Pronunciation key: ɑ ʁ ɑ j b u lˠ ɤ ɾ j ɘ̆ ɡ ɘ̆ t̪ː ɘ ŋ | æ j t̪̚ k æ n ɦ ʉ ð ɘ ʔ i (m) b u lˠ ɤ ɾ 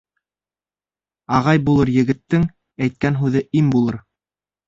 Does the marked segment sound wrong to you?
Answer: no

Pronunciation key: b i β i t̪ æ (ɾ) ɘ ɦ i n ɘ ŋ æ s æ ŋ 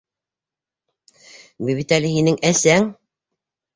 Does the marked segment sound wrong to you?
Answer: yes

